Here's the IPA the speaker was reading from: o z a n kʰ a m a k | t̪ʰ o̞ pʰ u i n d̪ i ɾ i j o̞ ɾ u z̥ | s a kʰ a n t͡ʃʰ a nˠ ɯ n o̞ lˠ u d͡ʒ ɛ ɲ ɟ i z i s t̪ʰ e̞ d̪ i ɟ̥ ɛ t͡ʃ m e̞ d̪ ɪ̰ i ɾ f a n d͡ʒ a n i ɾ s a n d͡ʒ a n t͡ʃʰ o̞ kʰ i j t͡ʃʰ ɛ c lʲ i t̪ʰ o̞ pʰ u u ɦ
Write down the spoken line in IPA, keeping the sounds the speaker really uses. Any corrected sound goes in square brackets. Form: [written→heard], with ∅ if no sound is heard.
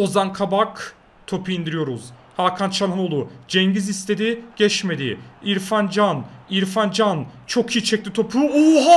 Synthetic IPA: o z a n kʰ a [m→b] a k | t̪ʰ o̞ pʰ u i n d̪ i ɾ i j o̞ ɾ u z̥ | [s→h] a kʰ a n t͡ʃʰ a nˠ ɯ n o̞ lˠ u d͡ʒ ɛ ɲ ɟ i z i s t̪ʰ e̞ d̪ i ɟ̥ ɛ t͡ʃ m e̞ d̪ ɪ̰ i ɾ f a n d͡ʒ a n i ɾ [s→f] a n d͡ʒ a n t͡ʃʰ o̞ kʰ i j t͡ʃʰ ɛ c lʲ i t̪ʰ o̞ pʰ u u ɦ